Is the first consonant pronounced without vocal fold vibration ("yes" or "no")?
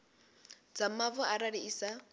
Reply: no